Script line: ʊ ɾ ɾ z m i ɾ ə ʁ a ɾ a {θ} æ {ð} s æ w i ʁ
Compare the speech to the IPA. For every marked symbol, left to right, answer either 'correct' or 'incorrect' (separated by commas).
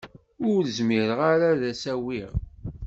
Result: incorrect, incorrect